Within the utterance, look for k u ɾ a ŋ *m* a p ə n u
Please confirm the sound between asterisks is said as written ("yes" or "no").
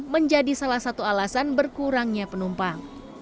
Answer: no